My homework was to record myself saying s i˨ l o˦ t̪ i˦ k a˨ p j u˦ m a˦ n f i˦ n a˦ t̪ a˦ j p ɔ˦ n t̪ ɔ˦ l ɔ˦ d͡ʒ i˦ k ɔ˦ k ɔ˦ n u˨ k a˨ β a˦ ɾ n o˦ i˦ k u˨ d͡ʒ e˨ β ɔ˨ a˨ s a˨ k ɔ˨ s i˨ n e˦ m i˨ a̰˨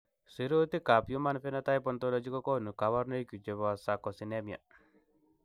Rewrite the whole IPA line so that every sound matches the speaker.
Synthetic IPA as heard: s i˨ ɾ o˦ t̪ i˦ k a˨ p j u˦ m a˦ n f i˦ n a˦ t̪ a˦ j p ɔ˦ n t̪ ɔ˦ l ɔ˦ d͡ʒ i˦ k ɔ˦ k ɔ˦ n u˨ k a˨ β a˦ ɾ n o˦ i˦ k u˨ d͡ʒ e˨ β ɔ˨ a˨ s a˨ k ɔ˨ s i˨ n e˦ m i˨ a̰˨